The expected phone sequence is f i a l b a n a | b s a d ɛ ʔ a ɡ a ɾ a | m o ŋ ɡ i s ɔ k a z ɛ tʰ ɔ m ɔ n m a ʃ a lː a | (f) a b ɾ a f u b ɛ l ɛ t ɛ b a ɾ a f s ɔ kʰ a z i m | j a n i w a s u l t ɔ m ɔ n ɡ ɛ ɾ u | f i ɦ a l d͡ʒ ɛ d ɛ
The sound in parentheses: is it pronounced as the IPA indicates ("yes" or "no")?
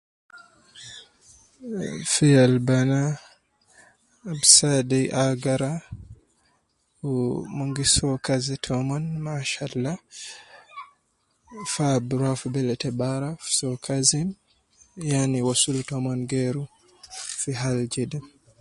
yes